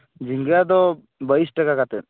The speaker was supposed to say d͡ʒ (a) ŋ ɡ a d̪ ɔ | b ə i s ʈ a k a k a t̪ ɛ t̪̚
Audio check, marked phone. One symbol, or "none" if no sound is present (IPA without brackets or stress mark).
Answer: i